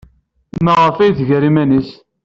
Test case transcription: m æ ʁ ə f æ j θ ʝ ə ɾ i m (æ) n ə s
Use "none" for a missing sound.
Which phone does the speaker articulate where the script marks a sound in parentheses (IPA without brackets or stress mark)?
æ